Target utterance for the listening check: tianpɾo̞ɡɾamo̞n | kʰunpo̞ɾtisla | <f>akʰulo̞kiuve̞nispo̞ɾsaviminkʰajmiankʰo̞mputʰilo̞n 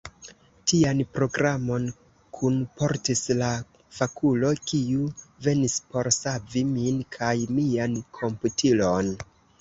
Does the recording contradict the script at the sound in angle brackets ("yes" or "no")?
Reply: no